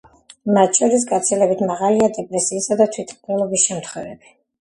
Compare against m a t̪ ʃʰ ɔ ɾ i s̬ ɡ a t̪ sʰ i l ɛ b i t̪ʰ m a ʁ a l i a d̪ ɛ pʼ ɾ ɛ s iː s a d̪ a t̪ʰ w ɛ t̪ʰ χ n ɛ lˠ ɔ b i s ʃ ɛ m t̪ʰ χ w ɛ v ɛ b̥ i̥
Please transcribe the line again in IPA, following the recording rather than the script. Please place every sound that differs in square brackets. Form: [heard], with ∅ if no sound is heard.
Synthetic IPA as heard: m a t̪ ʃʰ ɔ ɾ i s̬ ɡ a t̪ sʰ i l ɛ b i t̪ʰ m a ʁ a l i a d̪ ɛ pʼ ɾ ɛ s iː s a d̪ a t̪ʰ w [i] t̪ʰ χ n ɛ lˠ ɔ b i s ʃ ɛ m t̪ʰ χ w ɛ v ɛ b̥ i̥